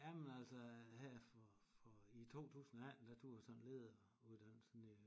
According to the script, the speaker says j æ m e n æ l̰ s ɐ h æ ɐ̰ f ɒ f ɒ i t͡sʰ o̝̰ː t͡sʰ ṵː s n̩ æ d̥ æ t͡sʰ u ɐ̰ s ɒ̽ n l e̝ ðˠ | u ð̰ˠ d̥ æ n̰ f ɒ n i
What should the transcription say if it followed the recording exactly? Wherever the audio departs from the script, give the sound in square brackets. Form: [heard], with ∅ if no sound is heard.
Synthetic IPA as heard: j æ m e n æ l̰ s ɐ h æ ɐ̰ f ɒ f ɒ i t͡sʰ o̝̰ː t͡sʰ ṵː s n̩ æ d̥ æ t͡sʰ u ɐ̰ s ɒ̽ n l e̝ ðˠ | u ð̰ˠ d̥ æ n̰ [s] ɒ n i